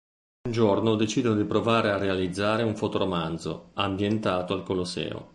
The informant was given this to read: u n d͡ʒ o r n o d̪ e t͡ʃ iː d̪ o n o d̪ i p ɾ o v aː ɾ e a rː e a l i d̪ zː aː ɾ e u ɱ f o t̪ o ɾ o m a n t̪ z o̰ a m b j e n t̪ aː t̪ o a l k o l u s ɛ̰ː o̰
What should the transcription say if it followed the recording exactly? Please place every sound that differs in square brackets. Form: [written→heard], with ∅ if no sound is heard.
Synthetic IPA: u n d͡ʒ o r n o d̪ e t͡ʃ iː d̪ o n o d̪ i p ɾ o v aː ɾ e a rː e a l i d̪ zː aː ɾ e u ɱ f o t̪ o ɾ o m a n [t̪→d̪] z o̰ a m b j e n t̪ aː t̪ o a l k o l [u→o] s ɛ̰ː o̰